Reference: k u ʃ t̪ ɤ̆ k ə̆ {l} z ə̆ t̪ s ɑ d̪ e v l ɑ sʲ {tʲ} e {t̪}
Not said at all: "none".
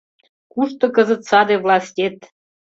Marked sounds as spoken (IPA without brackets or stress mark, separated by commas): none, tʲ, t̪